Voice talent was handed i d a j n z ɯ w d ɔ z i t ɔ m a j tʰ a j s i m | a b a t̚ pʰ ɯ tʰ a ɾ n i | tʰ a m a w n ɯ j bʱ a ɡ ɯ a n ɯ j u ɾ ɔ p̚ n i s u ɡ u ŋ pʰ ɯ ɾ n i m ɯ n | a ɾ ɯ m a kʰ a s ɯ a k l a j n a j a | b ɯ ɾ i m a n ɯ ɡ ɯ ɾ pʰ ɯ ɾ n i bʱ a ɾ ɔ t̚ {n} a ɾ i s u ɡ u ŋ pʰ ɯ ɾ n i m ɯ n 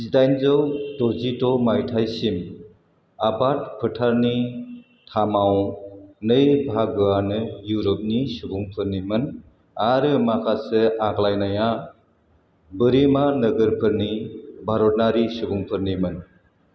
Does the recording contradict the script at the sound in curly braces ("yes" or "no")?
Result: no